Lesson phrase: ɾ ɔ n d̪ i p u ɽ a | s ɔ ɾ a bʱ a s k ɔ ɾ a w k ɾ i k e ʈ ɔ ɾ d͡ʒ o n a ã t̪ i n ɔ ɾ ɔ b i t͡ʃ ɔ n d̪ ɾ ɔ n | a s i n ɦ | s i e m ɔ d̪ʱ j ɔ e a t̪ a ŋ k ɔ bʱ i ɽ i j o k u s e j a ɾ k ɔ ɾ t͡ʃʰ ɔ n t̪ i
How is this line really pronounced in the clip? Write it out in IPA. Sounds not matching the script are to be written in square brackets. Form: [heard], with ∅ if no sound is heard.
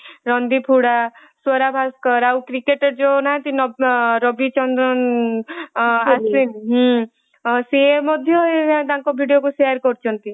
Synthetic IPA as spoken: ɾ ɔ n d̪ i [pʰ] u ɽ a | s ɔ ɾ a bʱ a s k ɔ ɾ a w k ɾ i k e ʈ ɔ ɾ d͡ʒ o n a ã t̪ i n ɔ ɾ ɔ b i t͡ʃ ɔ n d̪ ɾ ɔ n | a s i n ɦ | s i e m ɔ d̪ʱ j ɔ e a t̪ a ŋ k ɔ bʱ i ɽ i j o k u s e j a ɾ k ɔ ɾ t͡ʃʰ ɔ n t̪ i